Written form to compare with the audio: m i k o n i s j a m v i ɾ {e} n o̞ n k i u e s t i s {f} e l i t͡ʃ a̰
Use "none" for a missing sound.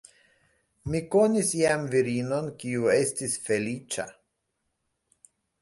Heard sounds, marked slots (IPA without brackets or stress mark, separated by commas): i, f